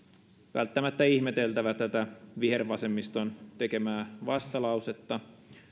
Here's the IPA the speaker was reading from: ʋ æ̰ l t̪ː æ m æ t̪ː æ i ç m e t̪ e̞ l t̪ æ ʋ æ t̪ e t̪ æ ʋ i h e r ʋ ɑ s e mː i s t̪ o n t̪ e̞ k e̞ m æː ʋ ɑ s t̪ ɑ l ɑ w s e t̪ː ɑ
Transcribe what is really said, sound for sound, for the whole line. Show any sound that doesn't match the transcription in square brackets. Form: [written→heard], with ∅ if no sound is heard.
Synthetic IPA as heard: ʋ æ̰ l t̪ː æ m æ t̪ː æ i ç m e t̪ e̞ l t̪ æ ʋ æ t̪ [e→æ] t̪ æ ʋ i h e r ʋ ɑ s e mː i s t̪ o n t̪ e̞ k e̞ m æː ʋ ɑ s t̪ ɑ l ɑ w s e t̪ː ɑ